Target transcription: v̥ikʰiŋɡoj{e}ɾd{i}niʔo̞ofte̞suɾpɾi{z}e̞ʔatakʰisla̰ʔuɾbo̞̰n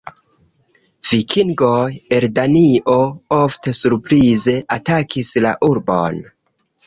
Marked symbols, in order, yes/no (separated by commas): yes, no, yes